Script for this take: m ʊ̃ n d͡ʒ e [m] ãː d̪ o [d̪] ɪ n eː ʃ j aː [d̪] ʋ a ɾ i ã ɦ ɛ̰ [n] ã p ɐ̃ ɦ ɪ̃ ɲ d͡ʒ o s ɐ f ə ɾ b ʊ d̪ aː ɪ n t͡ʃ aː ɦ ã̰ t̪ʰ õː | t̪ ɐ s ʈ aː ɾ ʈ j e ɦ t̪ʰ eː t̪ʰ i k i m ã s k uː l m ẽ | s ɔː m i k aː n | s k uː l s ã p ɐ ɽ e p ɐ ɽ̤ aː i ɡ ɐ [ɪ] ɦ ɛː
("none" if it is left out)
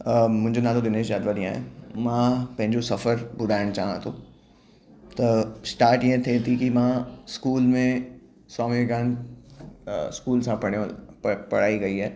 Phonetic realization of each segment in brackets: n, d̪, d̪, m, i

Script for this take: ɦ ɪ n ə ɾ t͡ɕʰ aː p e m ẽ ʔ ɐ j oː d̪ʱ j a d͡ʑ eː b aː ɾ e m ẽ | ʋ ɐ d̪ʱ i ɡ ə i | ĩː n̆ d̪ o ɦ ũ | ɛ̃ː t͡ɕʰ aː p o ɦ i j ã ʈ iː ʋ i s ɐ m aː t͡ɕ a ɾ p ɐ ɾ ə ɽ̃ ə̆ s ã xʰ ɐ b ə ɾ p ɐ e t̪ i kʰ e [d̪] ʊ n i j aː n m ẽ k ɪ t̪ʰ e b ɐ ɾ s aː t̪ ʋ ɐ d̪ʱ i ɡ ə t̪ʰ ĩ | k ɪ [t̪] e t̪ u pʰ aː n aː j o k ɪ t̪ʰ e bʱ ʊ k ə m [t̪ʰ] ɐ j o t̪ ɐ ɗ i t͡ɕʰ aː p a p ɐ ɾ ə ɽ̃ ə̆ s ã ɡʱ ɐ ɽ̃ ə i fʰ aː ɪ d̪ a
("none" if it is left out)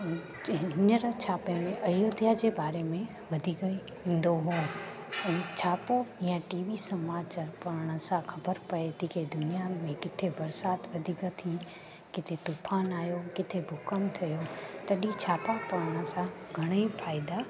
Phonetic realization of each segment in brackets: d̪, t̪ʰ, t̪ʰ

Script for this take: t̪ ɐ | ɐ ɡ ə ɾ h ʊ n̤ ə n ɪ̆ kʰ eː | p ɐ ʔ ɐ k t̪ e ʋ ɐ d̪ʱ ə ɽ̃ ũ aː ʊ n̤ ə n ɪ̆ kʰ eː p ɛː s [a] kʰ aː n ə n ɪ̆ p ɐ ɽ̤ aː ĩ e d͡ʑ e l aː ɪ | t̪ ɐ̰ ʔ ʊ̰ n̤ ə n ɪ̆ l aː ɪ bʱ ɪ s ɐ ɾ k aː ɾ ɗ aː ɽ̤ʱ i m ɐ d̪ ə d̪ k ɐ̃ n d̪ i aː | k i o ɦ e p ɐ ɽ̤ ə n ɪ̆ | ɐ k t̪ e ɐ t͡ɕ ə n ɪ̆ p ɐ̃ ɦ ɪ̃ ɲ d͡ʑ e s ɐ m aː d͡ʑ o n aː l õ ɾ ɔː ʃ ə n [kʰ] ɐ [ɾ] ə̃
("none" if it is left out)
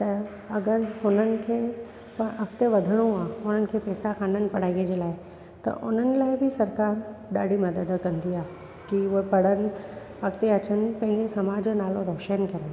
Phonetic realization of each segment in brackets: a, k, ɾ

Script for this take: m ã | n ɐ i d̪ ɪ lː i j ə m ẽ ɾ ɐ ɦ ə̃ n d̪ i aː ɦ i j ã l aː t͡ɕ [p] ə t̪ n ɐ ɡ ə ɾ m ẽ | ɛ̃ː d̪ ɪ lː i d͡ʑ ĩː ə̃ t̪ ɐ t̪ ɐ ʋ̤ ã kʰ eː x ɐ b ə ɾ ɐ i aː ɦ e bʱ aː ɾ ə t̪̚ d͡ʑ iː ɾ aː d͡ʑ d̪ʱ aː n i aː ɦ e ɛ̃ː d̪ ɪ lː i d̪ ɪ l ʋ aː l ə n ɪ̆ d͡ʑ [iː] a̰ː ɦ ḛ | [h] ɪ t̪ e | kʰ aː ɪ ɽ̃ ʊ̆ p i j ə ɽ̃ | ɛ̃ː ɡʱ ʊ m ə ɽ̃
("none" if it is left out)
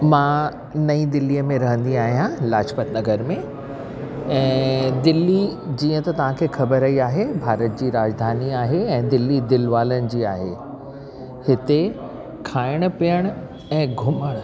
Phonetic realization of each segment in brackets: p, iː, h

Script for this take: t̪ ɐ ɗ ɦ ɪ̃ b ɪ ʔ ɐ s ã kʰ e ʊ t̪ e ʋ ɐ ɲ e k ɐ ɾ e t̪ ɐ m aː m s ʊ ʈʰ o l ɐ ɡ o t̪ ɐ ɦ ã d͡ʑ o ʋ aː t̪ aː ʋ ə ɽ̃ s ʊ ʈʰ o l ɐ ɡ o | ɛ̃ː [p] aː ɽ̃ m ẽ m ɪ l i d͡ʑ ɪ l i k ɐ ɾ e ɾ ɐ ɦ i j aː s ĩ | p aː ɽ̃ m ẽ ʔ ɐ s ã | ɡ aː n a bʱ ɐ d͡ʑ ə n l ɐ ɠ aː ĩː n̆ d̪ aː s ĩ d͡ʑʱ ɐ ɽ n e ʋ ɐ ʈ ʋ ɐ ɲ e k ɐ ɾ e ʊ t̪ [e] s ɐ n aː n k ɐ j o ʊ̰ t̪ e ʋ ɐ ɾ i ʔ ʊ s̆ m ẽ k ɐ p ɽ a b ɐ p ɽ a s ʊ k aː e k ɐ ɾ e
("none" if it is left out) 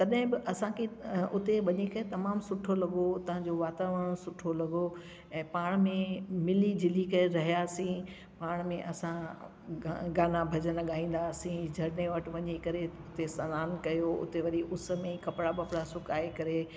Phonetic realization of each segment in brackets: p, e

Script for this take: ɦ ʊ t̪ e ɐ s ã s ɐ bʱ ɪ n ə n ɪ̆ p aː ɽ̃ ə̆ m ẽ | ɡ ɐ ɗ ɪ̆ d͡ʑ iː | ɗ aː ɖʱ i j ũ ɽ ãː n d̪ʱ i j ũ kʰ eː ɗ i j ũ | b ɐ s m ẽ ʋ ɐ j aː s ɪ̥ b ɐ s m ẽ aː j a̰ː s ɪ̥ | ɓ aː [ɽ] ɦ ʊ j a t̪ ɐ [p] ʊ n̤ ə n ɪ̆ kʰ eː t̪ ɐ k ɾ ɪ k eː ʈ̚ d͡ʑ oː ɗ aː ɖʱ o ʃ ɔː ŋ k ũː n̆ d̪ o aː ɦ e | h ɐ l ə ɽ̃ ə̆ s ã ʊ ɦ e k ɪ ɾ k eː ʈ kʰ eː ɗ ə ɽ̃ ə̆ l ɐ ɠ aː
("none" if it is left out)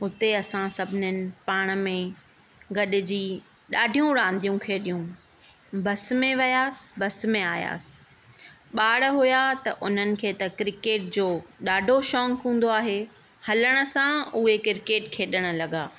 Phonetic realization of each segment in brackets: ɽ, ʔ

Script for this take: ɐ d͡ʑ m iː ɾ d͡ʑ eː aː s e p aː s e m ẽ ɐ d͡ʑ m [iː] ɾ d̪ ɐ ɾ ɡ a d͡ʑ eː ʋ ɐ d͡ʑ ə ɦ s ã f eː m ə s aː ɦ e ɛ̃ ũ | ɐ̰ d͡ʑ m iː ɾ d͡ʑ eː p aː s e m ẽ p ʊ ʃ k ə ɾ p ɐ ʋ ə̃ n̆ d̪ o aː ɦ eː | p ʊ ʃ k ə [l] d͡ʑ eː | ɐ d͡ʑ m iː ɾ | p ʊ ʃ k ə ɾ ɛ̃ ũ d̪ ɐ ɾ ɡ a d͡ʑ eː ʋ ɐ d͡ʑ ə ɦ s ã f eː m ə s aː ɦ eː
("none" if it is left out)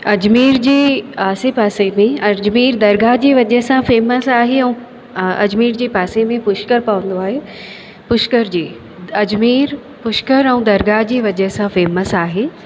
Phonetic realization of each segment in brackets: iː, ɾ

